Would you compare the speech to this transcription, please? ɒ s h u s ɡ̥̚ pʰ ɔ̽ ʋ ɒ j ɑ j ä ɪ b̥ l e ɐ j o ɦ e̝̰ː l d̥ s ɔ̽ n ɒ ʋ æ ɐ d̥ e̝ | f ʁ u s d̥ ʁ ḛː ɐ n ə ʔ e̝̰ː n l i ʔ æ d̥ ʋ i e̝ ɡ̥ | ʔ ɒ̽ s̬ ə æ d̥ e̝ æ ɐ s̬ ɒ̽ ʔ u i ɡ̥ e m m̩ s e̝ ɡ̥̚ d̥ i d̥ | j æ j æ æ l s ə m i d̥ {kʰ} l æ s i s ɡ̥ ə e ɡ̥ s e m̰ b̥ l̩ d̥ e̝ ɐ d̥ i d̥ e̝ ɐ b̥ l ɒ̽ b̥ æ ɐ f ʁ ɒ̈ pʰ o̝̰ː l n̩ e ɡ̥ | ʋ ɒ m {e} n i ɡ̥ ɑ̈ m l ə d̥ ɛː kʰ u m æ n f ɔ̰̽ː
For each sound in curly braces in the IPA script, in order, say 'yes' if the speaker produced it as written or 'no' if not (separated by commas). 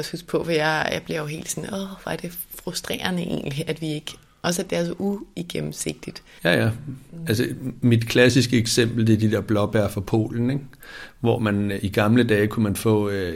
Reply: yes, no